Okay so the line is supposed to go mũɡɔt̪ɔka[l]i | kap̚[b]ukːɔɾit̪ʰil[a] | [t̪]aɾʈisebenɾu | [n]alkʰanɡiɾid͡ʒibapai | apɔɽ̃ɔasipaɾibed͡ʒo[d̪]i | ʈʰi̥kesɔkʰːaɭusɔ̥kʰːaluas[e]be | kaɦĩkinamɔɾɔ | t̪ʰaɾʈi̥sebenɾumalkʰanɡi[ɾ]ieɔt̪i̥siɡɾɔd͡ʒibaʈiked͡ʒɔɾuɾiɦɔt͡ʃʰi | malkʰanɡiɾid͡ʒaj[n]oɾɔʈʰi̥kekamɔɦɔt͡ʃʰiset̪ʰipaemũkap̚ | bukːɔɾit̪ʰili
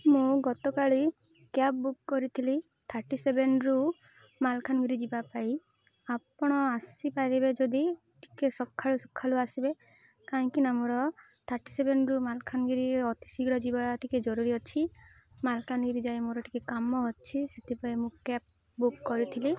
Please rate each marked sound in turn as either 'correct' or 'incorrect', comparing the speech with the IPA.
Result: incorrect: ɭ, correct, incorrect: i, incorrect: t̪ʰ, incorrect: m, correct, incorrect: i, correct, incorrect: m

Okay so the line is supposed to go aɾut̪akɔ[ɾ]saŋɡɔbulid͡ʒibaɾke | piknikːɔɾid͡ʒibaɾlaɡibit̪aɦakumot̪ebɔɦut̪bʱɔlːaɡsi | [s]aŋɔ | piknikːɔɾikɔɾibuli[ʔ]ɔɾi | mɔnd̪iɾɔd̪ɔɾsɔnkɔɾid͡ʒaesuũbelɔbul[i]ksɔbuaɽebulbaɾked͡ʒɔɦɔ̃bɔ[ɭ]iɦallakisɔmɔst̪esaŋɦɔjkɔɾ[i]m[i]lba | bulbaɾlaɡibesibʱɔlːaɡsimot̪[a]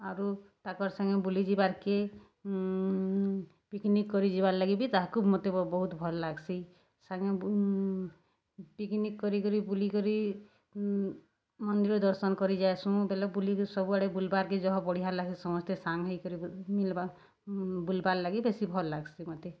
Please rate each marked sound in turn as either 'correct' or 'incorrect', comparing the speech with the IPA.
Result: correct, correct, incorrect: k, correct, incorrect: ɽ, correct, correct, incorrect: e

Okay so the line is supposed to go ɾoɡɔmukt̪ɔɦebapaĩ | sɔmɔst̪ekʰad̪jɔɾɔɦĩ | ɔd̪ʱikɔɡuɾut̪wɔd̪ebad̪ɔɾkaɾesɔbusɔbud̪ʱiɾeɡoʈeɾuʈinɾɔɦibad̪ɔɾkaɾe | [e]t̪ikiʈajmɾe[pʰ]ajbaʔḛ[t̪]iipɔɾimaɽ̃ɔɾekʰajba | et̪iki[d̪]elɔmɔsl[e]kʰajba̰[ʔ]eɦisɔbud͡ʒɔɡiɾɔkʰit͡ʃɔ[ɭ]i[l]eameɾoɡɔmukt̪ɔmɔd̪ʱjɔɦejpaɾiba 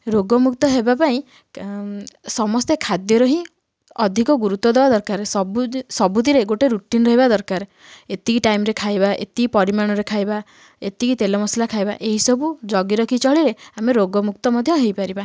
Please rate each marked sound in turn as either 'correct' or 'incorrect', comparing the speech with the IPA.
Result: correct, incorrect: kʰ, correct, incorrect: t̪, incorrect: a, correct, correct, incorrect: ɾ

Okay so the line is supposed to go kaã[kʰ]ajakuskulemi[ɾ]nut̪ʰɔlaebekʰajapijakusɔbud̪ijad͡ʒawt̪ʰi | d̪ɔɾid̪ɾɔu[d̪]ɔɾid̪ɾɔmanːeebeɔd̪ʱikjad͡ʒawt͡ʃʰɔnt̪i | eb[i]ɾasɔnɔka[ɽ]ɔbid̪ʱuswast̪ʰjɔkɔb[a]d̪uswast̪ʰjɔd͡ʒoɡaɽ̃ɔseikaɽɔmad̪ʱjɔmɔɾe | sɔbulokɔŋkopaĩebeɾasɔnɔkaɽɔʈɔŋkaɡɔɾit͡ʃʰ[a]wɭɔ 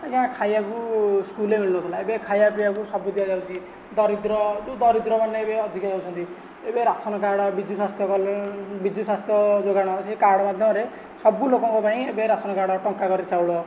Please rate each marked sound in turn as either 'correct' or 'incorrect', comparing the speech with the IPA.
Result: correct, incorrect: l, correct, incorrect: e, correct, incorrect: i, correct

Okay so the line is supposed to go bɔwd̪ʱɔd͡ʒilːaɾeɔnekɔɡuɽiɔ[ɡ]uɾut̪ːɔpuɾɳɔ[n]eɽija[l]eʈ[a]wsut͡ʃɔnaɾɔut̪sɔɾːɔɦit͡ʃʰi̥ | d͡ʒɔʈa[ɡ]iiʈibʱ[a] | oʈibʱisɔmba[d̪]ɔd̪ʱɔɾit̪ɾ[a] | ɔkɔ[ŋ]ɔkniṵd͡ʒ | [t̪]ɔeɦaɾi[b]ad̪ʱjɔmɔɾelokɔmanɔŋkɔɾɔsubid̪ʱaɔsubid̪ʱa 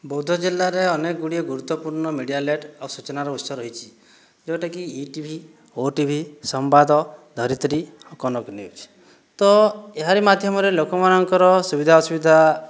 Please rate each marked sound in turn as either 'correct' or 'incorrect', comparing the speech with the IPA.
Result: correct, incorrect: m, correct, correct, incorrect: k, incorrect: i, correct, incorrect: i, incorrect: n, correct, incorrect: m

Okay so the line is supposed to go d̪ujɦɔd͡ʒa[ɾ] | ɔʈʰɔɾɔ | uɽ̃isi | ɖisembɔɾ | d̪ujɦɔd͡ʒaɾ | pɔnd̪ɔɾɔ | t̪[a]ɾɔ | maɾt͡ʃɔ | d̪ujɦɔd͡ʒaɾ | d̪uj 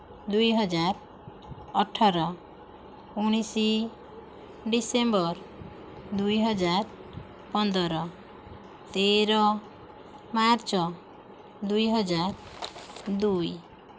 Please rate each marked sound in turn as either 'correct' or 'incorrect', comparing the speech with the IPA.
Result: correct, incorrect: e

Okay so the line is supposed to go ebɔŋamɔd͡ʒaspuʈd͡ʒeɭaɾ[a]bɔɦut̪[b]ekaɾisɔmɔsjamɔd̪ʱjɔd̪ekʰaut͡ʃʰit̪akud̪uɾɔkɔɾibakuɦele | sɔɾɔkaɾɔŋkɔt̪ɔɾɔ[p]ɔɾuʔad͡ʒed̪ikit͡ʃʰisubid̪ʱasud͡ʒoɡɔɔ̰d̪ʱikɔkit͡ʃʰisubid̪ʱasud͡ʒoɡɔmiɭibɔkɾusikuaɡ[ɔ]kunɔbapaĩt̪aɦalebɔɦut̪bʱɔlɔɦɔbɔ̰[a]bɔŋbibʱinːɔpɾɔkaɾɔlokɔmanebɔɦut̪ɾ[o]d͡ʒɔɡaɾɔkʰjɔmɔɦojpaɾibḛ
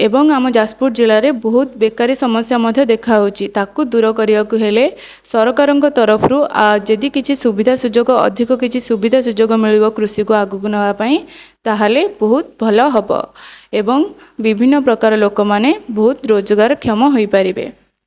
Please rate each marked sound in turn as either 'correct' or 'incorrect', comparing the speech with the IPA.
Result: incorrect: e, correct, incorrect: pʰ, incorrect: u, incorrect: e, correct

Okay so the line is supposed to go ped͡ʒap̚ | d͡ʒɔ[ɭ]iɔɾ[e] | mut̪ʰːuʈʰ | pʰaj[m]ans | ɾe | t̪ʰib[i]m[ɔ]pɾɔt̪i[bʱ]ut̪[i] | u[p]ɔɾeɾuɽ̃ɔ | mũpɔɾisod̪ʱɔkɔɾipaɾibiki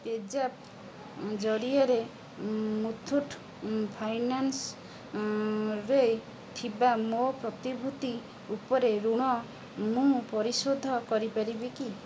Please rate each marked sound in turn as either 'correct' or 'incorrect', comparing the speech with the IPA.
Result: incorrect: ɽ, correct, incorrect: n, incorrect: a, incorrect: o, correct, correct, correct

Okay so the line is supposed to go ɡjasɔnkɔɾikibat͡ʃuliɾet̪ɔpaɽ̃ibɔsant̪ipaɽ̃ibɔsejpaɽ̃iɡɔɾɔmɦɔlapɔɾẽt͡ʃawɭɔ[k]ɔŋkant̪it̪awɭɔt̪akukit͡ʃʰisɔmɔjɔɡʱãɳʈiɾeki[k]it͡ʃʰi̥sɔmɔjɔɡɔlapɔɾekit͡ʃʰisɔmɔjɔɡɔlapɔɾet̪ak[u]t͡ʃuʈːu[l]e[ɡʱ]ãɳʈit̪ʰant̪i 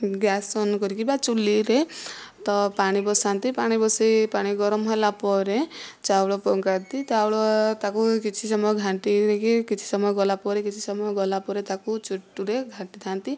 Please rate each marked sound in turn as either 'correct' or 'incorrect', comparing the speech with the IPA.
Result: incorrect: p, correct, correct, incorrect: ɾ, correct

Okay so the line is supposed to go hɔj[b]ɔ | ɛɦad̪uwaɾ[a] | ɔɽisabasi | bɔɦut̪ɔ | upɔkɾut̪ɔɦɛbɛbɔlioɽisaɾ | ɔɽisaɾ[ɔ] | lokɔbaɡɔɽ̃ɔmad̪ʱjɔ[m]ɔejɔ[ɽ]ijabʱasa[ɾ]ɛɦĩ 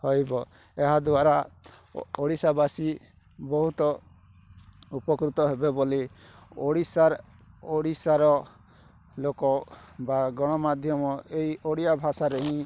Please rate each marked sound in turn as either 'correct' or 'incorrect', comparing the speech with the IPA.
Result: correct, correct, correct, correct, correct, correct

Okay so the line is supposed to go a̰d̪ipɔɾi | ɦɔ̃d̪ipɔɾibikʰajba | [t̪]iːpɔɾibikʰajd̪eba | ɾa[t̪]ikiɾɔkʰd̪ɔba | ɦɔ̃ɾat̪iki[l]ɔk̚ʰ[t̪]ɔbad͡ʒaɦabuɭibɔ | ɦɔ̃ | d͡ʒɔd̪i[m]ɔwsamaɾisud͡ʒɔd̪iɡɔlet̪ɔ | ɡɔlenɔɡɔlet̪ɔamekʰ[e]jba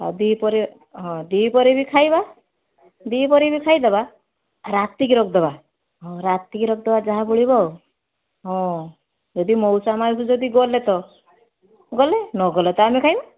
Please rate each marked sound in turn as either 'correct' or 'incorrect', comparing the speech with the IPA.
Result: incorrect: d̪, correct, incorrect: ɾ, incorrect: d̪, correct, incorrect: a

